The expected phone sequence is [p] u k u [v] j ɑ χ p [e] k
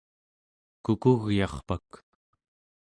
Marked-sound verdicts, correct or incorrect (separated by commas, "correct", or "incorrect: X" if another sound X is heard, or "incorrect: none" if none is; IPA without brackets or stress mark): incorrect: k, incorrect: ɣ, incorrect: a